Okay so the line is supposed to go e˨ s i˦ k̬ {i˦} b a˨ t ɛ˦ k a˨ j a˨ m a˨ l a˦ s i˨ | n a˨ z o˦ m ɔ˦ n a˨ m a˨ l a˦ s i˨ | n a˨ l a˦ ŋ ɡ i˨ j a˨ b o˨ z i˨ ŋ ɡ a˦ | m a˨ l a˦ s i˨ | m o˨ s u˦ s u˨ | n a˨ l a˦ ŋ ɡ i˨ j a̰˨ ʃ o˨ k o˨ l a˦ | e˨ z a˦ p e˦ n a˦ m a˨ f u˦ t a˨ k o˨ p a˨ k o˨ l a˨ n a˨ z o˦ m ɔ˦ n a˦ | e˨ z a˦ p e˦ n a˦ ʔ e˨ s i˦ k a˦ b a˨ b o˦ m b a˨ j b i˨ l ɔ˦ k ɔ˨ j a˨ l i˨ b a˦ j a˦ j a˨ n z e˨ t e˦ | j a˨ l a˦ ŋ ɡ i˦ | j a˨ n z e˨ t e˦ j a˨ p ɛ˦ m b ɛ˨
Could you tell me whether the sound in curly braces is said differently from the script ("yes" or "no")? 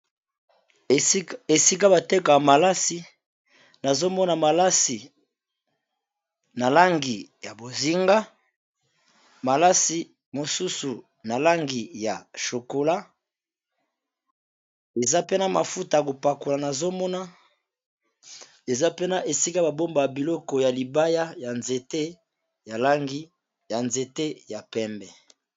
yes